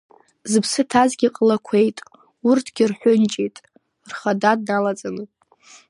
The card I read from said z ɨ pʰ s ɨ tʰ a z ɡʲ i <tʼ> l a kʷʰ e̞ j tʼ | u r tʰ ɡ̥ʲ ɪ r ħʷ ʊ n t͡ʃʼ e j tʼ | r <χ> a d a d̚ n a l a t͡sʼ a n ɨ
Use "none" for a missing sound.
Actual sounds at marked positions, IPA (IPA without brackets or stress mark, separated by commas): qʼ, χ